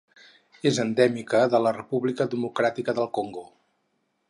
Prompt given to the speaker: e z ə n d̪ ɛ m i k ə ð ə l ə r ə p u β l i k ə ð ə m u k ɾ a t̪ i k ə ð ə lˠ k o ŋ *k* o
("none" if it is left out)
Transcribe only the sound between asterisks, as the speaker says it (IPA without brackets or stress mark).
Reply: ɡ